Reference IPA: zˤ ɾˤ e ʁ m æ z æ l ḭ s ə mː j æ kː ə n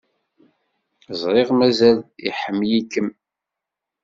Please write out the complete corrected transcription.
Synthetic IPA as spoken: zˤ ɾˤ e ʁ m æ z æ l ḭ ħ ə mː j i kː ə m